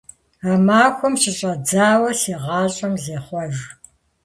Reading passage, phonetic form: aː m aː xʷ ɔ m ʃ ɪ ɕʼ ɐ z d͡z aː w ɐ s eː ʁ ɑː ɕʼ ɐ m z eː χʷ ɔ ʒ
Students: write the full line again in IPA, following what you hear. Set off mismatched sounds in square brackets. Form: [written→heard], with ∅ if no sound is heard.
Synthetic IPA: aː m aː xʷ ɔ m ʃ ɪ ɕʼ ɐ [z→∅] d͡z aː w ɐ s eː ʁ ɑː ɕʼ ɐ m z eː χʷ ɔ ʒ